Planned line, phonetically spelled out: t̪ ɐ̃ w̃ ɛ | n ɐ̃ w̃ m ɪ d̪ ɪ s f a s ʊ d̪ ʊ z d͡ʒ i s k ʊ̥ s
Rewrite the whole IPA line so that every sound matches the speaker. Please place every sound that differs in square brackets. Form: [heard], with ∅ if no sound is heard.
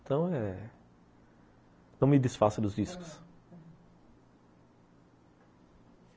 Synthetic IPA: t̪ ɐ̃ w̃ ɛ | n ɐ̃ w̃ m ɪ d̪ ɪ s f a s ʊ d̪ ʊ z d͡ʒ i s k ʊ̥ s